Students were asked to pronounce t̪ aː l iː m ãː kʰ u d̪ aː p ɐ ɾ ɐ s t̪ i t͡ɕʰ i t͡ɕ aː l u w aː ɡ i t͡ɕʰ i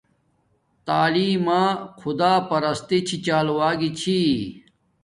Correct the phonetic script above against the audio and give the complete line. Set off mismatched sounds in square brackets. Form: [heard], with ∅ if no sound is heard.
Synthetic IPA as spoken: t̪ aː l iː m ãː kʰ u d̪ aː p ɐ ɾ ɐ s t̪ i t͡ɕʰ i t͡ɕ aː l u w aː ɡ i t͡ɕʰ i

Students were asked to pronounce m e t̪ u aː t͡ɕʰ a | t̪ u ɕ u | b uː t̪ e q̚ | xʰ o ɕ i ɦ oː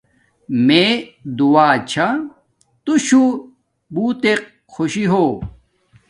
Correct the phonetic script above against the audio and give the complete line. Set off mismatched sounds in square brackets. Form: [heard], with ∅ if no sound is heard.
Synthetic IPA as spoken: m e [d̪] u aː t͡ɕʰ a | t̪ u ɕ u | b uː t̪ e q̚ | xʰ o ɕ i ɦ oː

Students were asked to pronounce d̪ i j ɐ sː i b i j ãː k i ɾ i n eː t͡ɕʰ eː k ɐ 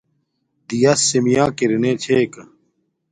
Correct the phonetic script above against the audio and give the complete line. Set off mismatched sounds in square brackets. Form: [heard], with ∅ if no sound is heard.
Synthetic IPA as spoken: d̪ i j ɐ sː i [m] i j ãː k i ɾ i n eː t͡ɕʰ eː k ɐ

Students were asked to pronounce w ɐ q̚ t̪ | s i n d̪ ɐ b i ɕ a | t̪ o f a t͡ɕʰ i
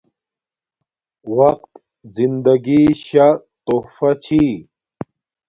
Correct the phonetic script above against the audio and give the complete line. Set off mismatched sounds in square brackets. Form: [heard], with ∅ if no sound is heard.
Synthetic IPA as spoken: w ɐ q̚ t̪ | [z] i n d̪ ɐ [ɡ] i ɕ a | t̪ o f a t͡ɕʰ i

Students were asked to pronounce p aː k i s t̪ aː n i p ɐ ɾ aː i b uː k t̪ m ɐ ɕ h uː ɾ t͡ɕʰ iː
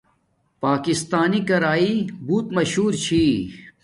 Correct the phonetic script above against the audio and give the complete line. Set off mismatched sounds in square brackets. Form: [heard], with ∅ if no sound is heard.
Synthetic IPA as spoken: p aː k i s t̪ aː n i [k] ɐ ɾ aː i b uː [∅] t̪ m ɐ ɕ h uː ɾ t͡ɕʰ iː

